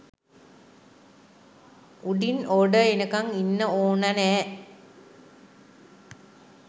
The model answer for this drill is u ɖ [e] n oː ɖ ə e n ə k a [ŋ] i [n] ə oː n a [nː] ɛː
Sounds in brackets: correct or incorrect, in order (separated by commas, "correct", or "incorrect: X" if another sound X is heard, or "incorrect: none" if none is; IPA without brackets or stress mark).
incorrect: i, correct, incorrect: nː, incorrect: n